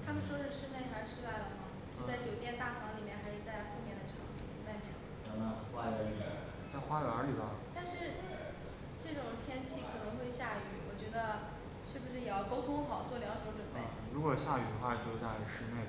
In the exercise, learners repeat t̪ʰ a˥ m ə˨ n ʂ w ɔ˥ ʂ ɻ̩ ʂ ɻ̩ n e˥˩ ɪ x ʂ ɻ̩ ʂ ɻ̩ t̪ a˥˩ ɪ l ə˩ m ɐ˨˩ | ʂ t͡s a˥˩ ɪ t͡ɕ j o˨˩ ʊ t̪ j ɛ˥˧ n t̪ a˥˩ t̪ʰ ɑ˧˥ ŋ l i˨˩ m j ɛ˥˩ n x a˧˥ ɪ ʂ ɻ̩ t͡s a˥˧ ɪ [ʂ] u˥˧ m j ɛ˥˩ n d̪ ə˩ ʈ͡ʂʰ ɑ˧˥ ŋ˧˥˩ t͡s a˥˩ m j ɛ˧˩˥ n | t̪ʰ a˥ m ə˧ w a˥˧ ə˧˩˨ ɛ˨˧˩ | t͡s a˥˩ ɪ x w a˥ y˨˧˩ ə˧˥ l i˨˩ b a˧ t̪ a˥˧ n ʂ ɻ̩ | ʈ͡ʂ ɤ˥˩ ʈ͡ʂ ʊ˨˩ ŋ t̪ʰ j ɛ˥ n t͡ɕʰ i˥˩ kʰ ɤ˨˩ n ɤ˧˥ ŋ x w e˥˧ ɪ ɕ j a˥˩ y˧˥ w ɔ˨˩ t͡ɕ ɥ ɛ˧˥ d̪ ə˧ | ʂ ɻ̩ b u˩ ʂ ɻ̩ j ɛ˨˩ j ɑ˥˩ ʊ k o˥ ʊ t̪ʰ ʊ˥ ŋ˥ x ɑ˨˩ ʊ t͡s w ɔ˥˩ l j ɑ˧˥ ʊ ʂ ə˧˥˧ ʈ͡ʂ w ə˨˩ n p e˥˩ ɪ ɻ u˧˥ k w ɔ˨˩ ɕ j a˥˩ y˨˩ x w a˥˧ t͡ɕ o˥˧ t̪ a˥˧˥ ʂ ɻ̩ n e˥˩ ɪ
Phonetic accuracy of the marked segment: incorrect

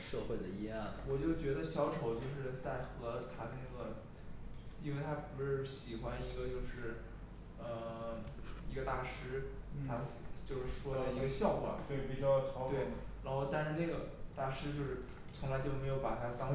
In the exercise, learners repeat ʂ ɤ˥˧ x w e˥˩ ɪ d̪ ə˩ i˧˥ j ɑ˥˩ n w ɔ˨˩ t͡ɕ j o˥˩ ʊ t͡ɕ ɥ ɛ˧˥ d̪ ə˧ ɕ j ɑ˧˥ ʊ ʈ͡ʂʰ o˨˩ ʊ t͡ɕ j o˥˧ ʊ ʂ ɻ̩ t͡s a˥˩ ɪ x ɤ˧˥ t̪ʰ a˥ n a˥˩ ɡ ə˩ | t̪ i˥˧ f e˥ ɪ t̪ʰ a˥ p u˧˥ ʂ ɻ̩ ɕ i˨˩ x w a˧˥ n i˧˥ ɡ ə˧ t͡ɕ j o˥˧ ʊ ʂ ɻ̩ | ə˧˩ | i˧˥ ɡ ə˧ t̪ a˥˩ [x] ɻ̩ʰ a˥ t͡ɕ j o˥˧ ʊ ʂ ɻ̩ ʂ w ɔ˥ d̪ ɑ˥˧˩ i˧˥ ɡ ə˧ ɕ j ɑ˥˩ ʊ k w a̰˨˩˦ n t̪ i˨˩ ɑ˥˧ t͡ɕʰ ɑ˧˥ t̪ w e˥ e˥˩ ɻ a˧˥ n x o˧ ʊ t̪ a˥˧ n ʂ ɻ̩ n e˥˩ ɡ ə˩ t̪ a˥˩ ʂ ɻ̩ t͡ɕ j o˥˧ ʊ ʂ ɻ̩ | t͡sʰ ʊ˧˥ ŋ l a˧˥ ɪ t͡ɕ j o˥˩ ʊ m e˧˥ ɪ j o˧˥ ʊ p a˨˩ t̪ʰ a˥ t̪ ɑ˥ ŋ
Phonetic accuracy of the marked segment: incorrect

